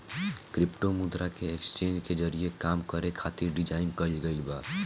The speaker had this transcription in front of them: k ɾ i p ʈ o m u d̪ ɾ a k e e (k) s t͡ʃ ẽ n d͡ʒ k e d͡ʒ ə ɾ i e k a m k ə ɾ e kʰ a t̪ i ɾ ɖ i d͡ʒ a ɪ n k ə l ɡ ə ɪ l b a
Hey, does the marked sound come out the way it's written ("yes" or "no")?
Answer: yes